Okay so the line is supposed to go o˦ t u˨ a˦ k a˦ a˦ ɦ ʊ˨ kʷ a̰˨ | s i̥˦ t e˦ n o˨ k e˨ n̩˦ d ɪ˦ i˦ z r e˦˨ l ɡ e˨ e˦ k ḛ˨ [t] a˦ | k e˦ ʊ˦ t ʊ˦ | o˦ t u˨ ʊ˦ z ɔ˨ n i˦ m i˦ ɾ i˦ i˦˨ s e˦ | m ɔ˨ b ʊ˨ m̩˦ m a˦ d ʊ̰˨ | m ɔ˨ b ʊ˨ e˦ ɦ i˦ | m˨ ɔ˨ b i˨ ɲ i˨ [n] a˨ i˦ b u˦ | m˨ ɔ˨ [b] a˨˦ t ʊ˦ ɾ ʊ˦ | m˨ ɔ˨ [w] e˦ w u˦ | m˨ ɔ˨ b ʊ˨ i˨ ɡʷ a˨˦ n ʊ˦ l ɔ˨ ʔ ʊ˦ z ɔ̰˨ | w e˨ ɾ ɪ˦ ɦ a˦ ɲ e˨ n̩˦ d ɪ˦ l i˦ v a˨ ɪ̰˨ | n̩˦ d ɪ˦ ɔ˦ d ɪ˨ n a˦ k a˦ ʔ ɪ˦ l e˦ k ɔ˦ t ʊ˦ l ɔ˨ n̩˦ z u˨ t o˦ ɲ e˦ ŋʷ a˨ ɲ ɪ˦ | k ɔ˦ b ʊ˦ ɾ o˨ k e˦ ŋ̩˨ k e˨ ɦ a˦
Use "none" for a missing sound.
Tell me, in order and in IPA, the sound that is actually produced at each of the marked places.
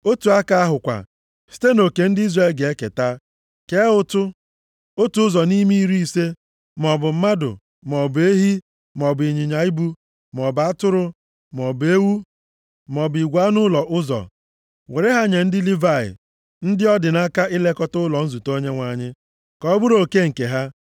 t, ɲ, b, b

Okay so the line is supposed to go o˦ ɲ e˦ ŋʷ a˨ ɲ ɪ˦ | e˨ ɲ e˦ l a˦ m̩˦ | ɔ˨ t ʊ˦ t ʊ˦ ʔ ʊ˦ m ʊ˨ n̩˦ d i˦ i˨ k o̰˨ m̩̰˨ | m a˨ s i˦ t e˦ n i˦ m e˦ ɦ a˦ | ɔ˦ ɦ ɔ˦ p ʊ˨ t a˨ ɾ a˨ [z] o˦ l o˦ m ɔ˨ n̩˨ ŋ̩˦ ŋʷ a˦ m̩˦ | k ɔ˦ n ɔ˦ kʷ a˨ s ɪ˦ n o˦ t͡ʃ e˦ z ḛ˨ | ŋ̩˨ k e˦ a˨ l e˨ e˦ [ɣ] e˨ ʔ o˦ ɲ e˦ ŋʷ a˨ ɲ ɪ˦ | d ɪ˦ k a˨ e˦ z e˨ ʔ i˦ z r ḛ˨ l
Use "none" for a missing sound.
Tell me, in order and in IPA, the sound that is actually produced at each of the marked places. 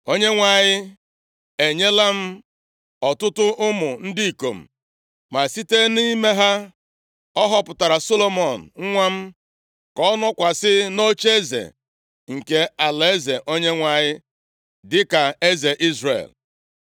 s, z

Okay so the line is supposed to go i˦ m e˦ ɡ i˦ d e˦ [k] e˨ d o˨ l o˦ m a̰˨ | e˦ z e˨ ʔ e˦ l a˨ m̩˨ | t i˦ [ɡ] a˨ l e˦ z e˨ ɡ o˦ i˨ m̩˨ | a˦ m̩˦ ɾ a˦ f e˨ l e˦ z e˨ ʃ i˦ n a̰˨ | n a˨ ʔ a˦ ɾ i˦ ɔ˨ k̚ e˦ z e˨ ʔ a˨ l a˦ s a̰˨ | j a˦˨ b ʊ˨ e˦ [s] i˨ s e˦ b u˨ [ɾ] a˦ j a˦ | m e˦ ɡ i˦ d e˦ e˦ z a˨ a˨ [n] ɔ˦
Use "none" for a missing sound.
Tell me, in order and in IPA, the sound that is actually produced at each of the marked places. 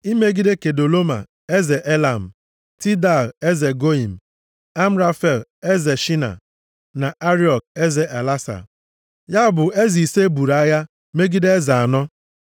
k, d, z, ɾ, n

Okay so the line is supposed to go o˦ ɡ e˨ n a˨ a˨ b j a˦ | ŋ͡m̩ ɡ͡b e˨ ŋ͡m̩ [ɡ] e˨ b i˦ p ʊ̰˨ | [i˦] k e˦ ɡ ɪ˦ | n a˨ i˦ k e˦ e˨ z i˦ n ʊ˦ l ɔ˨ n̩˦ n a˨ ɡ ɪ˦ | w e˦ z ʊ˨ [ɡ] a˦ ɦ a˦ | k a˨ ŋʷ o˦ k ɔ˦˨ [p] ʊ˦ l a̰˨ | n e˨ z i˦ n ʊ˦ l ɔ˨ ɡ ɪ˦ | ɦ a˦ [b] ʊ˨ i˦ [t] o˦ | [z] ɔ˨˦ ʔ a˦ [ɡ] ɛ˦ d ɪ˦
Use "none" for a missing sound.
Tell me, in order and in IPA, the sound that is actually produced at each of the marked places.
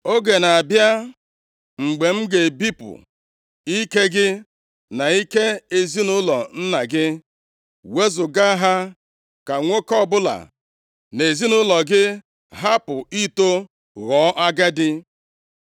ɡ, i˦, ɡ, b, p, t, ɣ, ɡ

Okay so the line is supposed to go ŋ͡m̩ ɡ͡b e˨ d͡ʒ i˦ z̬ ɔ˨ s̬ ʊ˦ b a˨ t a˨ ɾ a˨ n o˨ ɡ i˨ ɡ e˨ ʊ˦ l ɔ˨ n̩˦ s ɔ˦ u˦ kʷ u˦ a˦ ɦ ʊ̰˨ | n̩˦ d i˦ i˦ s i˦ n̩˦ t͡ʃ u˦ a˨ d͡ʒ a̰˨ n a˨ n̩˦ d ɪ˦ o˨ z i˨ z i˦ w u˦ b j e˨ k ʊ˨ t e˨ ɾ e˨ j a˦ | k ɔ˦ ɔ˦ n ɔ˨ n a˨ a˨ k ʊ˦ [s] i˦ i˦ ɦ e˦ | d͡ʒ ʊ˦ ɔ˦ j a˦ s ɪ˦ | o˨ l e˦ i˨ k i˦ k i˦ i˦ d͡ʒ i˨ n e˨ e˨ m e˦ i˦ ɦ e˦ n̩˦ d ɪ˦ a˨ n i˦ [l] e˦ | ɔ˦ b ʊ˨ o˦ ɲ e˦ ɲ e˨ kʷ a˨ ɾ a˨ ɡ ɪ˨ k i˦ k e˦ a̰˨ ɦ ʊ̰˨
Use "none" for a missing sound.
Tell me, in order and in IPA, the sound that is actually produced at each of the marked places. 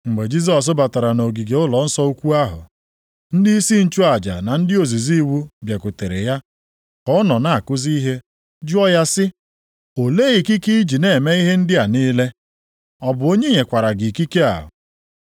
z, l

